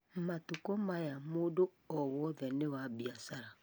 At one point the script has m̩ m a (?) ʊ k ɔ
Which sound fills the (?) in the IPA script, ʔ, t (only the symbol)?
t